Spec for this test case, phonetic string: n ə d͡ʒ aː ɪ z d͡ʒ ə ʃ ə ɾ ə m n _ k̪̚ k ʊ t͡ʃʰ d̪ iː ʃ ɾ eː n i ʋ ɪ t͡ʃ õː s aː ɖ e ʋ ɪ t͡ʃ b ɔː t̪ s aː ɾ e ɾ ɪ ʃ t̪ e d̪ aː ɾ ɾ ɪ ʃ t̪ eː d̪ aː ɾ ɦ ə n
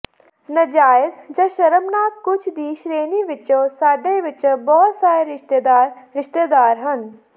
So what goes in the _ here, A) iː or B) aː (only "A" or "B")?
B